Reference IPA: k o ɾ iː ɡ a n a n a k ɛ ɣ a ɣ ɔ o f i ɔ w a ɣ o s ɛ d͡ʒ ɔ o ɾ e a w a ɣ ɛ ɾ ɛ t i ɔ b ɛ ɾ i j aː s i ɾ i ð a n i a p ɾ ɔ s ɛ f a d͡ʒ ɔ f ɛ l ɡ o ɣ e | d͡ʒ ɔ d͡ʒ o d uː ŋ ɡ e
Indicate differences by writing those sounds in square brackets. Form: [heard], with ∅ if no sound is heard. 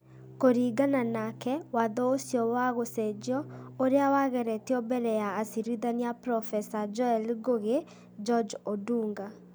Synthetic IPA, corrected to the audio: k o ɾ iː ɡ a n a n a k ɛ [w] a [ð] ɔ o [s] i ɔ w a ɣ o s ɛ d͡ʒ ɔ o ɾ e a w a ɣ ɛ ɾ ɛ t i ɔ b ɛ ɾ [ɛ] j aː s i ɾ i ð a n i a p ɾ ɔ [f] ɛ [s] a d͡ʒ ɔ [∅] ɛ l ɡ o ɣ e | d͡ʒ ɔ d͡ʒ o d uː ŋ ɡ [a]